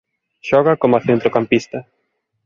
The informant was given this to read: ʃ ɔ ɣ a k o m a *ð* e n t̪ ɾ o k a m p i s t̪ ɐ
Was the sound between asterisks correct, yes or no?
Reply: no